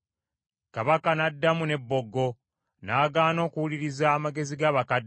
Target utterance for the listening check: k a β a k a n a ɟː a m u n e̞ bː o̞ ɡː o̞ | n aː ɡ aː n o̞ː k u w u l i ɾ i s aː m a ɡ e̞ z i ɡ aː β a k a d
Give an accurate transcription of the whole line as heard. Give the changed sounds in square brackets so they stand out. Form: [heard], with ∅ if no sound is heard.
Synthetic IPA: k a β a k a n a [dː] a m u n e̞ bː o̞ ɡː o̞ | n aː ɡ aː n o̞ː k u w u l i ɾ i [z] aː m a ɡ e̞ z i ɡ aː β a k a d